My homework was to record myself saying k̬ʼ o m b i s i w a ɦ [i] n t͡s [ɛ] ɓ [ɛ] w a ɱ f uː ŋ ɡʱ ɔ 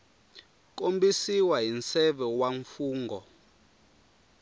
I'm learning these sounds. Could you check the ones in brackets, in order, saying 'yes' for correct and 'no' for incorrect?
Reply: yes, yes, yes

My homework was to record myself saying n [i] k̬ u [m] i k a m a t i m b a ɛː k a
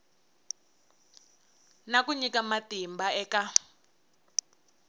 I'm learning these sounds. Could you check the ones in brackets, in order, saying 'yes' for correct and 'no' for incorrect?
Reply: no, no

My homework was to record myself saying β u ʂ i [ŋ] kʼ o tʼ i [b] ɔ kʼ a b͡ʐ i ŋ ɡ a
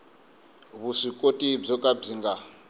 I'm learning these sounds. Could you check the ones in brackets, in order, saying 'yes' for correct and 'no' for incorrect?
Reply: no, no

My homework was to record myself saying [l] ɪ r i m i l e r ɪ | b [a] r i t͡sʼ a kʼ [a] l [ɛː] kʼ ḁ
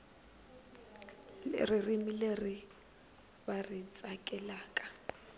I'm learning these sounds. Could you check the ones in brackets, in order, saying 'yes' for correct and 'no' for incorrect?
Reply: no, yes, no, no

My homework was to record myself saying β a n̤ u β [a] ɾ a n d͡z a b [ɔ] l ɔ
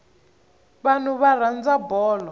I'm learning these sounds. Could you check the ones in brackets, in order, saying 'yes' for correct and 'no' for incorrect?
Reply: yes, no

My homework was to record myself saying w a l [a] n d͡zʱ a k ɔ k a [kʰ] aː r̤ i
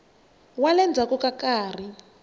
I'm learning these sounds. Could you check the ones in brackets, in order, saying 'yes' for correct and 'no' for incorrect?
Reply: no, no

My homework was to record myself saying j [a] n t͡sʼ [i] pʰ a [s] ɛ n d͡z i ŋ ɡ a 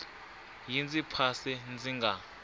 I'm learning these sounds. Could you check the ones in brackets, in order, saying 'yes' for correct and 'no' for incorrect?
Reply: no, yes, yes

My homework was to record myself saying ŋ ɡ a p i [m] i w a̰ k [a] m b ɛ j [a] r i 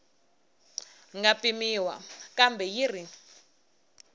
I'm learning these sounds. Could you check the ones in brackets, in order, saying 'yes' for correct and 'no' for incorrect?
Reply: yes, yes, no

